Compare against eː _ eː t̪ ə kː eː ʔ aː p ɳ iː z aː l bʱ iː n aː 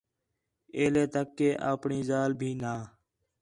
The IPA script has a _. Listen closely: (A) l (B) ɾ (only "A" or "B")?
A